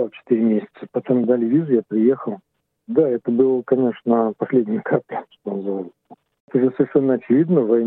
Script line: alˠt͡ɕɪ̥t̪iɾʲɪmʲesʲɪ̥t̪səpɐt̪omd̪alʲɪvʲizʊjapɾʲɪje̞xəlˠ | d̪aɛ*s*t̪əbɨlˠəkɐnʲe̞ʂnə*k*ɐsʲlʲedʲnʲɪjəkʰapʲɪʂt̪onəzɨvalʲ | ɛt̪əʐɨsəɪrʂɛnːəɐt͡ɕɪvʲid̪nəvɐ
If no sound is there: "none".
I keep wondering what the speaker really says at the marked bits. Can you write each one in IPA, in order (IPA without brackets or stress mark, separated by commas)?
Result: none, p